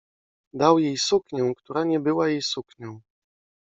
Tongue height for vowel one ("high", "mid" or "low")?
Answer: low